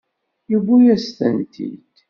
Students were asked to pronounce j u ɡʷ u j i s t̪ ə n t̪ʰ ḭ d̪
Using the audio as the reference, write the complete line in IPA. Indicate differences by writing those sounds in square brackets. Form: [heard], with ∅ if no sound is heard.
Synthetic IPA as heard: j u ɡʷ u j [æ] s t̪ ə n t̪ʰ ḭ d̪